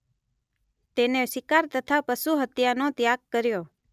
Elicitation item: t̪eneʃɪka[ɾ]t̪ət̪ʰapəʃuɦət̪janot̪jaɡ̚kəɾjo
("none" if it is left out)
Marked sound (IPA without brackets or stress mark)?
ɾ